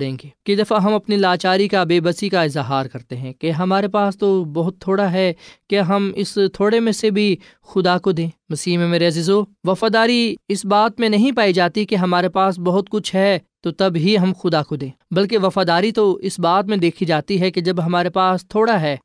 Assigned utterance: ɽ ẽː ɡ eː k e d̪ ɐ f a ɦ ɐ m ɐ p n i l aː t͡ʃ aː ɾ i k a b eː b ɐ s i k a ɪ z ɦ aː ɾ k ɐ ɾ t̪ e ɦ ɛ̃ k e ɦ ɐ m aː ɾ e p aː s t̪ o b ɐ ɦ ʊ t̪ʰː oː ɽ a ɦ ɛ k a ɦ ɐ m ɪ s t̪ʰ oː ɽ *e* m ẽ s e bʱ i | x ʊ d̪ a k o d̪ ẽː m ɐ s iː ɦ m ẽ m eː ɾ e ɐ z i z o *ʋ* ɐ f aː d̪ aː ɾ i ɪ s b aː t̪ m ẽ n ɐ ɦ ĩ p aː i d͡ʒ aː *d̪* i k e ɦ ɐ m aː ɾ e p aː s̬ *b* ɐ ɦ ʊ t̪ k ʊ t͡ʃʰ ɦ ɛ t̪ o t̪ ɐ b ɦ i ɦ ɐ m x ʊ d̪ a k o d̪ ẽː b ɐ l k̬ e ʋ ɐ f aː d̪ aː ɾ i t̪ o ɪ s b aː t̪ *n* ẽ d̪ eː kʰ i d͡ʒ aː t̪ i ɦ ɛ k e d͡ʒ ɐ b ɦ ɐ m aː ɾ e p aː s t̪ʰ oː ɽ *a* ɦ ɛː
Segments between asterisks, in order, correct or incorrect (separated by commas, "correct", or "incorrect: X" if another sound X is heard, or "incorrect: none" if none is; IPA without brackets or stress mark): correct, correct, incorrect: t̪, correct, incorrect: m, correct